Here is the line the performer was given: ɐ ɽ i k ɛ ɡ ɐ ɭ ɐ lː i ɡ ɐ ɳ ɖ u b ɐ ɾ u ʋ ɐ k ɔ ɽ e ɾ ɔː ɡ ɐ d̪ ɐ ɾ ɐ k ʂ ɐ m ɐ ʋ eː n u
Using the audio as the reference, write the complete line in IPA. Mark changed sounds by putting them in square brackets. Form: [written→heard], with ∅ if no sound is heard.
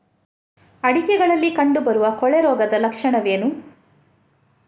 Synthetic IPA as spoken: ɐ ɽ i k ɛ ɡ ɐ ɭ ɐ lː i [ɡ→k] ɐ ɳ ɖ u b ɐ ɾ u ʋ ɐ k ɔ [ɽ→ɭ] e ɾ ɔː ɡ ɐ d̪ ɐ [ɾ→l] ɐ k ʂ ɐ [m→ɳ] ɐ ʋ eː n u